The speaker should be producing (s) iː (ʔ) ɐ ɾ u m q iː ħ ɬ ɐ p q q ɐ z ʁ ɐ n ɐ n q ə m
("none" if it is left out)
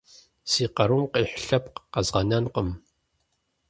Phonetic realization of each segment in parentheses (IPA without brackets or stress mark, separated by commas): s, q